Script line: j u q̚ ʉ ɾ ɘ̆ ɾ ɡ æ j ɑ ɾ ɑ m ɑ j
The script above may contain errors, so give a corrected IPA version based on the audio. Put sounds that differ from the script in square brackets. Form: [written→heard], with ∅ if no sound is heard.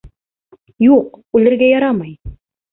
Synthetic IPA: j u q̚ ʉ [ɾ→l] ɘ̆ ɾ ɡ æ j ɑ ɾ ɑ m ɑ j